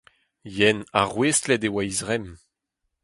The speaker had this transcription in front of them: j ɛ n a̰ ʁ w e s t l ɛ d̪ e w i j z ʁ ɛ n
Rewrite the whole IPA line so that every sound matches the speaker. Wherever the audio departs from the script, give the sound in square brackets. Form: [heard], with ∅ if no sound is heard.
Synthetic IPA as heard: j ɛ n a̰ ʁ w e s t l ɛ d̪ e w [a] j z ʁ ɛ [m]